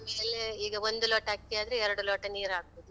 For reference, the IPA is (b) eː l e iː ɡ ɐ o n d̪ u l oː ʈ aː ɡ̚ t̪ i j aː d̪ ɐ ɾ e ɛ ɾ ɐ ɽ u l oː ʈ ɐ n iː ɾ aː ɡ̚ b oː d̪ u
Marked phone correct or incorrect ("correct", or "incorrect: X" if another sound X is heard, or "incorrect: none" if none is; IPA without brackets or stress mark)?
incorrect: m